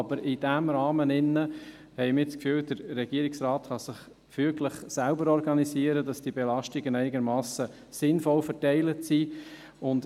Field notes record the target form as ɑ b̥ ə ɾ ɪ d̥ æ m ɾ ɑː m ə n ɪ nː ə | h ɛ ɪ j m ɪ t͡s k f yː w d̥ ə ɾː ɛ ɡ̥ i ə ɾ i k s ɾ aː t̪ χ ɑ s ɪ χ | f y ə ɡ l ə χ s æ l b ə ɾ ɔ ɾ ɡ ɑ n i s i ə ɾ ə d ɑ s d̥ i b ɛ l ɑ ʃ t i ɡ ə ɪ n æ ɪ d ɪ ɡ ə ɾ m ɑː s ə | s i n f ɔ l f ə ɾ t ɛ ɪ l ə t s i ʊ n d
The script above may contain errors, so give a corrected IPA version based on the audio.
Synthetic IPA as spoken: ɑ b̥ ə ɾ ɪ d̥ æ m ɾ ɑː m ə n ɪ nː ə | h ɛ ɪ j m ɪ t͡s k f yː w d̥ ə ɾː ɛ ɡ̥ i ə ɾ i k s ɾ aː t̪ χ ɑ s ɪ χ | f y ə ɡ l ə χ s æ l b ə ɾ ɔ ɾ ɡ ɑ n i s i ə ɾ ə d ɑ s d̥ i b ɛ l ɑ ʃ t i ɡ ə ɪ n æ ɪ n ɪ ɡ ə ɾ m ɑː s ə | s ɪ n f ɔ l f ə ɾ t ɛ ɪ l ə t s i ʊ n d